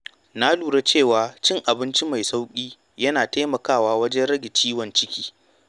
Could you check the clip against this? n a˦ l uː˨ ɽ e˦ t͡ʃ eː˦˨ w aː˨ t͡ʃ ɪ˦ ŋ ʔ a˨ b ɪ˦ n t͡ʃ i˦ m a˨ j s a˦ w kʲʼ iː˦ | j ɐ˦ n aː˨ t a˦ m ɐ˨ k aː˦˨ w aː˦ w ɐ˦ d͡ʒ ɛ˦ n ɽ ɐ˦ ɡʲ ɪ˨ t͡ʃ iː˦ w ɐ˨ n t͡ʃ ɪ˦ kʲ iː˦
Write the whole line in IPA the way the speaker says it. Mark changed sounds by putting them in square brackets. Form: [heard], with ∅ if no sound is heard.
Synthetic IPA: n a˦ l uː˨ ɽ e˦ t͡ʃ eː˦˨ w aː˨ t͡ʃ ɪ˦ ŋ ʔ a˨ b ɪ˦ n t͡ʃ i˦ m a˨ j s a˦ w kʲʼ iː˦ | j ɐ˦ n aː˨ t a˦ m ɐ˨ k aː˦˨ w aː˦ w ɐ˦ d͡ʒ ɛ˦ n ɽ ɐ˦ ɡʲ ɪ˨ t͡ʃ iː˦ w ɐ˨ n t͡ʃ ɪ˦ kʲ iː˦